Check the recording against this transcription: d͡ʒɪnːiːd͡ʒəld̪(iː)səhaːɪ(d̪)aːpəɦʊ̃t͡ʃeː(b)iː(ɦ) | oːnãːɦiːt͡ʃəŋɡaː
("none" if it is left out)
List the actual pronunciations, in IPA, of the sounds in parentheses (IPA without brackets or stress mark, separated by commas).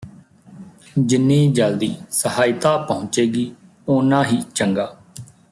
iː, t̪, ɡ, none